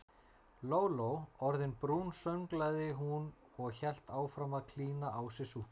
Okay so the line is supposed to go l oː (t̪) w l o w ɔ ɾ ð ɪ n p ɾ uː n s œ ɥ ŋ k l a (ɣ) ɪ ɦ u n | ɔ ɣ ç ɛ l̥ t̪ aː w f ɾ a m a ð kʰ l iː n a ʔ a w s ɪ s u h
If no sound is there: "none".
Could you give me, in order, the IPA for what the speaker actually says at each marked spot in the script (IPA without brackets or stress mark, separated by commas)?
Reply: none, ð